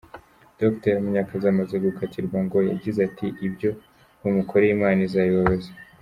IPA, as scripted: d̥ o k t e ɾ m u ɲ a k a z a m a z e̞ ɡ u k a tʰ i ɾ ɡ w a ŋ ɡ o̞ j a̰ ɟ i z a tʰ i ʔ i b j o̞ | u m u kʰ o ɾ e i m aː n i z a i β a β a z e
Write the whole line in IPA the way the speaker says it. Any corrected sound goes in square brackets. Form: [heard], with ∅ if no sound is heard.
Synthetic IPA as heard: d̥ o k t e ɾ m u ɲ a k a z a m a z e̞ ɡ u k a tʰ i ɾ ɡ w a ŋ ɡ o̞ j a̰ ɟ i z a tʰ i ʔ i b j o̞ | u m u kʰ o ɾ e i m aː n i z a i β a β a z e